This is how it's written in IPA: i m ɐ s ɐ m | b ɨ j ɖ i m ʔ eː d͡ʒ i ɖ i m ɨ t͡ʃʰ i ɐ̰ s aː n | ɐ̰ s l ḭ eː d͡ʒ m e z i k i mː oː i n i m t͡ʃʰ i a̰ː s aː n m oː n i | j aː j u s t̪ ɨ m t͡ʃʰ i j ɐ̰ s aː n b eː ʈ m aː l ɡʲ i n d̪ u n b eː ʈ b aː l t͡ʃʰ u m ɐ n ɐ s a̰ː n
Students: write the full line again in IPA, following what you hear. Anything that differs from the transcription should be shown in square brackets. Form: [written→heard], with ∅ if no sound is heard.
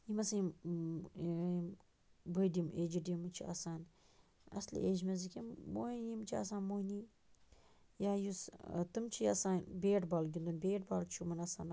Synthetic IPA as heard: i m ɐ s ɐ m | b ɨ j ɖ i m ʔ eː d͡ʒ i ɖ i m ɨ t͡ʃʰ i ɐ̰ s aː n | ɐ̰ s l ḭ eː d͡ʒ m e z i k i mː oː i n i m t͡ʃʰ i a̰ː s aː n m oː n i | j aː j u s t̪ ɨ m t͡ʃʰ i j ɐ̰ s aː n b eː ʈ [m→b] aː l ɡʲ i n d̪ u n b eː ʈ b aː l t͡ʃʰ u m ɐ n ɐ s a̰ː n

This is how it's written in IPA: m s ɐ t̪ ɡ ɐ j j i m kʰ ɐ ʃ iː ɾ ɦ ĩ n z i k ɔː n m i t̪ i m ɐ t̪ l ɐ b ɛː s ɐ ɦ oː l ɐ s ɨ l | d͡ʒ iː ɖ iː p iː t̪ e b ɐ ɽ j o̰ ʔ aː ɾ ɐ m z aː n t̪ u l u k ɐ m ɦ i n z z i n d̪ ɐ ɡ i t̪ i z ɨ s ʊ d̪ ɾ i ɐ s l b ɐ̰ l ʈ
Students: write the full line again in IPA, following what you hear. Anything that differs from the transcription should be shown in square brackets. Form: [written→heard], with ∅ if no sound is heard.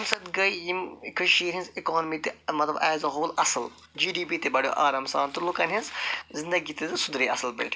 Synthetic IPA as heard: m s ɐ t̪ ɡ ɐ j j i m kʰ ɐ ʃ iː ɾ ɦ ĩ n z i k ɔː n m i t̪ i m ɐ t̪ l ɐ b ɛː [s→z] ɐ ɦ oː l ɐ s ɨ l | d͡ʒ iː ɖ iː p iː t̪ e b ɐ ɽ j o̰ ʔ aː ɾ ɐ m [z→s] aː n t̪ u l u k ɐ [m→n] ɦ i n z z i n d̪ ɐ ɡ i t̪ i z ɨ s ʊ d̪ ɾ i ɐ s l b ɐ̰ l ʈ

